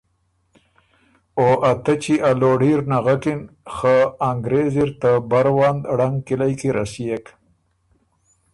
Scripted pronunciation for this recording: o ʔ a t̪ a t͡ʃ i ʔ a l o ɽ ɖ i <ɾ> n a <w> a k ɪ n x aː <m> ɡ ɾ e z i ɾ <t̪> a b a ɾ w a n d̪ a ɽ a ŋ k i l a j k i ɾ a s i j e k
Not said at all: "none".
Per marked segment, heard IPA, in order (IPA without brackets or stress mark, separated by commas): ɾ, ɣ, ŋ, t̪